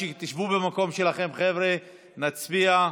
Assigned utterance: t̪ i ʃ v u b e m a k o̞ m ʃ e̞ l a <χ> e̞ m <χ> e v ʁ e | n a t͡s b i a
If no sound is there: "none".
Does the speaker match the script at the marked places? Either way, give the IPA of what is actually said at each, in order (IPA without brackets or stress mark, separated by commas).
χ, χ